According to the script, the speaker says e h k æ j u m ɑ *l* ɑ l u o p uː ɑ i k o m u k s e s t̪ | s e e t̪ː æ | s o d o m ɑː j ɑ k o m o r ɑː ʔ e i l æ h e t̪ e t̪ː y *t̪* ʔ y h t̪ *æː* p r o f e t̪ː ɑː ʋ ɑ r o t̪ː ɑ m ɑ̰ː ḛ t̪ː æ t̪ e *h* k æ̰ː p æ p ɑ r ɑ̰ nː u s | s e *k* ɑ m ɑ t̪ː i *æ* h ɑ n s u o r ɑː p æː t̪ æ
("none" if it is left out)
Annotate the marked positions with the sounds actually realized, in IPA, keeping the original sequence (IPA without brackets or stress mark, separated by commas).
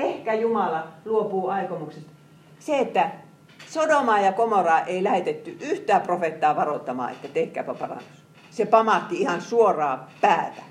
l, none, æː, h, p, i